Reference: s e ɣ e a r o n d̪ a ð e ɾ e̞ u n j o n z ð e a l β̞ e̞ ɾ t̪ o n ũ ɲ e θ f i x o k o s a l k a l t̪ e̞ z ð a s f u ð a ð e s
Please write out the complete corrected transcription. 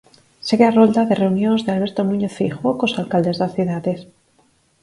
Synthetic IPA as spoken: s e ɣ e a r o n d̪ a ð e r e̞ u n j o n z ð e a l β̞ e̞ ɾ t̪ o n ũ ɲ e θ f i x o k o s a l k a l d̪ e̞ z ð a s θ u ð a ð e s